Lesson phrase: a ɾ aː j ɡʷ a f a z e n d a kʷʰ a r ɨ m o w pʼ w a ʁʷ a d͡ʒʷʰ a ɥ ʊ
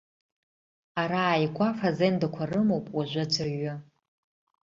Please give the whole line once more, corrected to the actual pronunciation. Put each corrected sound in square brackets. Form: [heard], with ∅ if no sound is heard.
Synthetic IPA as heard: a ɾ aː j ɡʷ a f a z e n d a kʷʰ a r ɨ m o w pʼ w a [ʒʷ] a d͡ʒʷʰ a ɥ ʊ